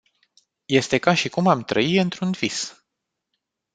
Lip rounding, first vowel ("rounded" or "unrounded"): unrounded